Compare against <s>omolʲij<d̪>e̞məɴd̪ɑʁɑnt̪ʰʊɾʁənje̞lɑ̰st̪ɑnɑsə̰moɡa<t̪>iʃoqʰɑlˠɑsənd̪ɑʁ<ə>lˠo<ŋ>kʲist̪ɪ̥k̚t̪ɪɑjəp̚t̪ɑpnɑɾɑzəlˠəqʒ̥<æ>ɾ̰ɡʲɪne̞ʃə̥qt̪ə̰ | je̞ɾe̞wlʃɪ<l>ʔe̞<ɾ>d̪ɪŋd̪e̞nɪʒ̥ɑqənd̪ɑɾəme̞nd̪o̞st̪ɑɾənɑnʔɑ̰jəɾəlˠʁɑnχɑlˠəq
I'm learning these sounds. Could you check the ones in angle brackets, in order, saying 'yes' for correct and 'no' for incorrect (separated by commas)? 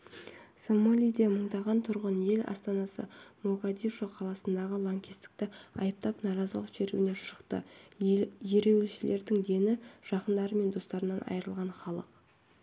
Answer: yes, yes, no, yes, yes, no, yes, yes